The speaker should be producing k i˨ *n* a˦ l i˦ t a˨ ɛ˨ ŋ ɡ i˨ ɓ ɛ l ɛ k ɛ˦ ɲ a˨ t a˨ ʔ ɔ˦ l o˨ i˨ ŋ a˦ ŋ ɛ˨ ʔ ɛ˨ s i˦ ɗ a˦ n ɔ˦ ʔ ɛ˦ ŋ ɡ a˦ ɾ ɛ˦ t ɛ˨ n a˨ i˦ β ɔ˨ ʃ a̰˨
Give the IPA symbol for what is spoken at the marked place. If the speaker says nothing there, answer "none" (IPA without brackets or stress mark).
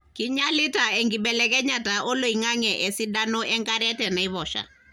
ɲ